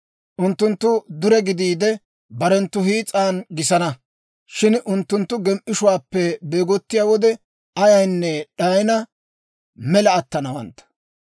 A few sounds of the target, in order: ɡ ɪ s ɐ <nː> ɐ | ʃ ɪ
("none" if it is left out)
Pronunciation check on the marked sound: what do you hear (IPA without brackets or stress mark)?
n